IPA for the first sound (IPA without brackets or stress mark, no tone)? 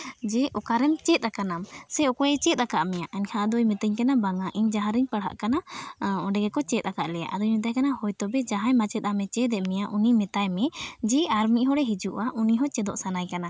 d͡ʒ